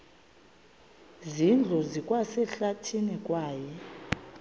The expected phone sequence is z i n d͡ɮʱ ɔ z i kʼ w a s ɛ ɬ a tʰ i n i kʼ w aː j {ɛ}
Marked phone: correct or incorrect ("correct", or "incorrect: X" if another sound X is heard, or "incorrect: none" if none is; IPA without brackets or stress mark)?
correct